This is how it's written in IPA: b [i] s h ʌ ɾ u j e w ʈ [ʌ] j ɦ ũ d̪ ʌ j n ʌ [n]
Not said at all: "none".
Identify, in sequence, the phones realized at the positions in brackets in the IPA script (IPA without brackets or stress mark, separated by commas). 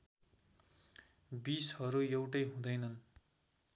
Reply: i, ʌ, n